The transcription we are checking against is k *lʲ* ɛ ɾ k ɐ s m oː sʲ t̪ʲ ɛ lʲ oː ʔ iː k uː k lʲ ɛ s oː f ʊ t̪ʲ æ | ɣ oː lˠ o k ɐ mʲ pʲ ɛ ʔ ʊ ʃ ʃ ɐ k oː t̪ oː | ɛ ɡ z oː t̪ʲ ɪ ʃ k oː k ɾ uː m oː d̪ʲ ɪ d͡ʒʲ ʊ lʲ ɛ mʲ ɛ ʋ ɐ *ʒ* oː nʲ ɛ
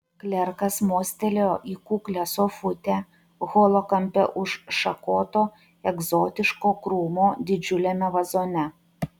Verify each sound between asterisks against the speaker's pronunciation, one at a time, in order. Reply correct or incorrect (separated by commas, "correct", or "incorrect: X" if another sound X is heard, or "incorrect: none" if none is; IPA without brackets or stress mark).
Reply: correct, incorrect: z